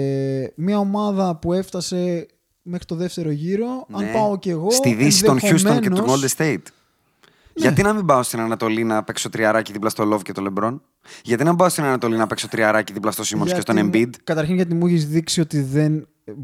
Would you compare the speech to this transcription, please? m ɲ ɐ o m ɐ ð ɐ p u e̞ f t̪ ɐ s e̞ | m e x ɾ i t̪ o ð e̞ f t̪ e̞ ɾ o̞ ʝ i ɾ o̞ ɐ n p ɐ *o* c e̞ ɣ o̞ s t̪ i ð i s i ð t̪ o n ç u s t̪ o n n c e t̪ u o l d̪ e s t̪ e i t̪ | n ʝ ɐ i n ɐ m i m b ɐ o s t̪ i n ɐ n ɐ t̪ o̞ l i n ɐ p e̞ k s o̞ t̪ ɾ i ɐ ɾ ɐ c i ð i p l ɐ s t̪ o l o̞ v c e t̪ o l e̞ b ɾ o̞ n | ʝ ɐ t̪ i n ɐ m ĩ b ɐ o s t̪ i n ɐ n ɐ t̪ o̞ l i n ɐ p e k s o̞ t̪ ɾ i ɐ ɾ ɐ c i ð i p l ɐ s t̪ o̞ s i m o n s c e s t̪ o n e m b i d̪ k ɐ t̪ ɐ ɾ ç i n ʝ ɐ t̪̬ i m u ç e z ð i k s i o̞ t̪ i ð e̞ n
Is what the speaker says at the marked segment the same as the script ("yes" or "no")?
yes